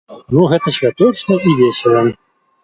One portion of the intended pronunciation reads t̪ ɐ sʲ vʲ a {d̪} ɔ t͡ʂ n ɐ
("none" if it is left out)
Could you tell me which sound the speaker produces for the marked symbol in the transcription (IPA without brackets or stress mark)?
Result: t̪